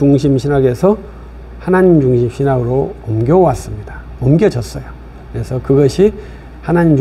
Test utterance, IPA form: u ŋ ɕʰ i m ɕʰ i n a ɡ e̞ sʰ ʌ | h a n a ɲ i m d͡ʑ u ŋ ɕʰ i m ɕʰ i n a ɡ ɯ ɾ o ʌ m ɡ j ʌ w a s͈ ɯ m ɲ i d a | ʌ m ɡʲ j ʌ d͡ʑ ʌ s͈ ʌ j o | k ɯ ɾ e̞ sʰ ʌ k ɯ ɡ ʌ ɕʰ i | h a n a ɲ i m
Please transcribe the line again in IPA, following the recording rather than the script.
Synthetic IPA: u ŋ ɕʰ i m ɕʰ i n a ɡ e̞ sʰ ʌ | h a n a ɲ i m d͡ʑ u ŋ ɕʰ i m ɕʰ i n a ɡ ɯ ɾ o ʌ m ɡ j ʌ w a s͈ ɯ m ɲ i d a | ʌ m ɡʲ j ʌ d͡ʑ ʌ s͈ ʌ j o | k ɯ ɾ e̞ sʰ ʌ k ɯ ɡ ʌ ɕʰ i | h a n a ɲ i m